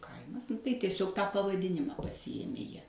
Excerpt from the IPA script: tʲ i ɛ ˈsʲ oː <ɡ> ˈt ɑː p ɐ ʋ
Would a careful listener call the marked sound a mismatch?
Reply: yes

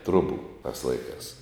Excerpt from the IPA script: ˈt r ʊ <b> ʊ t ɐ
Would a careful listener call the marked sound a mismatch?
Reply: no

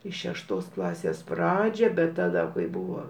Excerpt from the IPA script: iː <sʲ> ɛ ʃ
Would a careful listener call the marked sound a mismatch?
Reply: yes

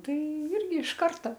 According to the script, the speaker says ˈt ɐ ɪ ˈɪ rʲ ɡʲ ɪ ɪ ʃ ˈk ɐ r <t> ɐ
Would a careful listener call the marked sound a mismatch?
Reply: no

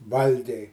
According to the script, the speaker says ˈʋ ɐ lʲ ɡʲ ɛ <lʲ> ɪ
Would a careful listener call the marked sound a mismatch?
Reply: yes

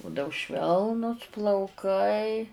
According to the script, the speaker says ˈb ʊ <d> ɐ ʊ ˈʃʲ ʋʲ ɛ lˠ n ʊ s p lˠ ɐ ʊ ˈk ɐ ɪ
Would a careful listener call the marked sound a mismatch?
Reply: no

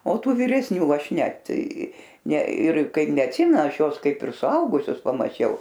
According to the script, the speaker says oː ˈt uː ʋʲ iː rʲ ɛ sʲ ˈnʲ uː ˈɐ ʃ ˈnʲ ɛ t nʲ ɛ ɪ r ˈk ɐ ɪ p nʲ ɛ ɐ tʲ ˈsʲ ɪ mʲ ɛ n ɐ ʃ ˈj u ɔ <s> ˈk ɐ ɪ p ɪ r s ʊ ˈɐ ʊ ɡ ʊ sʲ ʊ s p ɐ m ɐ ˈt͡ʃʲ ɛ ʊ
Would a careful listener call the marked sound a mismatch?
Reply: no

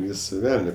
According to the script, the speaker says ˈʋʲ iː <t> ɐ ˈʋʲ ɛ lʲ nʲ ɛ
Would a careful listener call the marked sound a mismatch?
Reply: yes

